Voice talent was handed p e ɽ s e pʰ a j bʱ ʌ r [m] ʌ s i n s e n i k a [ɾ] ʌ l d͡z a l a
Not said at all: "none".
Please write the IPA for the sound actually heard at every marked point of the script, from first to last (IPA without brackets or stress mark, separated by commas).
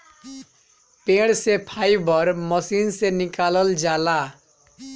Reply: m, l